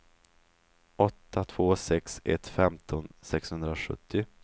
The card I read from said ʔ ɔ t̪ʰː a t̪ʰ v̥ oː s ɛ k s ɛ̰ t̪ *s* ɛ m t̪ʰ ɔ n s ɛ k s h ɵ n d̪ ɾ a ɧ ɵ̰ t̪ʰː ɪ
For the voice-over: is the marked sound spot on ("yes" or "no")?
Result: no